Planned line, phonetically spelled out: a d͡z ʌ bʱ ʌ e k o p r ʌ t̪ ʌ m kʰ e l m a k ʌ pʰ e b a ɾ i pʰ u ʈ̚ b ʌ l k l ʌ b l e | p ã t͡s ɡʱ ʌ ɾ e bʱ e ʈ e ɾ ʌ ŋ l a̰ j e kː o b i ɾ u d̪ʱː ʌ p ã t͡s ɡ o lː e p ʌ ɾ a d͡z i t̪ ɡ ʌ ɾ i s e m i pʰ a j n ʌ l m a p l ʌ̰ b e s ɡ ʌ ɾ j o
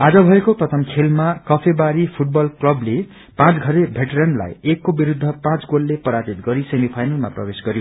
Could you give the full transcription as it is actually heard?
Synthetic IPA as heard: a d͡z ʌ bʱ ʌ e k o p r ʌ t̪ʰ ʌ m kʰ e l m a k ʌ pʰ e b a ɾ i pʰ u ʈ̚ b ʌ l k l ʌ b l e | p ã t͡s ɡʱ ʌ ɾ e bʱ e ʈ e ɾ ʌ n l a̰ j e kː o b i ɾ u d̪ʱː ʌ p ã t͡s ɡ o lː e p ʌ ɾ a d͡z i t̪ ɡ ʌ ɾ i s e m i pʰ a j n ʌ l m a p r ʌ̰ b e s ɡ ʌ ɾ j o